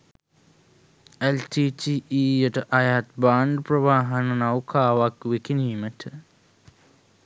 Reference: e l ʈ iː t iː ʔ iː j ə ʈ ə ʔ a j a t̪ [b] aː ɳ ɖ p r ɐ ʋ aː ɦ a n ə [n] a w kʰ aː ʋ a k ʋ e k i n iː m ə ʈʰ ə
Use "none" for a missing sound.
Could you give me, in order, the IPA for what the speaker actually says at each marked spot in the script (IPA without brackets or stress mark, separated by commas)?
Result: b, n